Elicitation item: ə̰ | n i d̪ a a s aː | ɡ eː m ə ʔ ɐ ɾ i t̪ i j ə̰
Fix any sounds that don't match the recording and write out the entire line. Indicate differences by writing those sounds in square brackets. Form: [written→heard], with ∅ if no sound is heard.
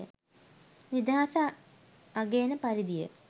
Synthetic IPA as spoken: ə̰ | n i d̪ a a s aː | ɡ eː [m→n] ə [ʔ→p] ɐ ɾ i [t̪→d̪] i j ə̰